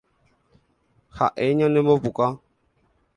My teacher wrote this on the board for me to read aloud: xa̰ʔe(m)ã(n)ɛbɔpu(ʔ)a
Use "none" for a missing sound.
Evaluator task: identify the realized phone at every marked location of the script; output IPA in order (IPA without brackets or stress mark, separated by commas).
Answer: ɲ, n, k